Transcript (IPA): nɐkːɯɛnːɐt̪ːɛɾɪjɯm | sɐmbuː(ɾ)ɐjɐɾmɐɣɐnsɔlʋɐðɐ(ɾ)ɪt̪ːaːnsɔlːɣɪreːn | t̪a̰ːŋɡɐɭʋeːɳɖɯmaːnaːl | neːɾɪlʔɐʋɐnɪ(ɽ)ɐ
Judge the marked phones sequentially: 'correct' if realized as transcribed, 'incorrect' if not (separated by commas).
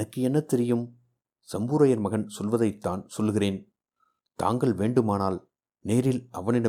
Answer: correct, incorrect, correct